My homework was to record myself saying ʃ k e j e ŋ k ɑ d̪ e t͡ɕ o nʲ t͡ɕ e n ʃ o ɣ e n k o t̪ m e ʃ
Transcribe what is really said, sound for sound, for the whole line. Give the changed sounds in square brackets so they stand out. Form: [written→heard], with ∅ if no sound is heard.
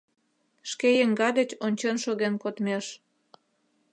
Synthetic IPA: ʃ k e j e ŋ [k→ɡ] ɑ d̪ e t͡ɕ o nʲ t͡ɕ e n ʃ o ɣ e n k o t̪ m e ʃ